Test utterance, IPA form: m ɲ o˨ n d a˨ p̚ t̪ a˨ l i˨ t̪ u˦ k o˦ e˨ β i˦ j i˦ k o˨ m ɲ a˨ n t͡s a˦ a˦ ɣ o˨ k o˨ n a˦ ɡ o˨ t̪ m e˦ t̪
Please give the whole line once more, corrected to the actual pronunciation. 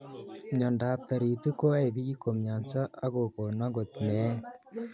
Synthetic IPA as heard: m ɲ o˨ n d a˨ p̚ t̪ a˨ ɾ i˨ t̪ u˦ k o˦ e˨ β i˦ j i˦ k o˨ m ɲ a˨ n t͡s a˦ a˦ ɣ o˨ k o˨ n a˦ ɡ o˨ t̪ m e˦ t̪